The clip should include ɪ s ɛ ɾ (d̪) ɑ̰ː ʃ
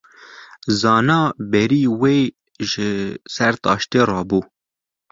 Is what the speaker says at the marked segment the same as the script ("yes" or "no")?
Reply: no